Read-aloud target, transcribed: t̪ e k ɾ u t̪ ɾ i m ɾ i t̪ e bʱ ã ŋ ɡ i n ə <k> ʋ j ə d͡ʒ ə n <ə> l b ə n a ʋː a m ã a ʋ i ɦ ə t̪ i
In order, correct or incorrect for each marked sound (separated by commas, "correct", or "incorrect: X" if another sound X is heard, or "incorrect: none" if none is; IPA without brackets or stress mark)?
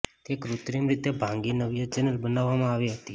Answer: incorrect: none, correct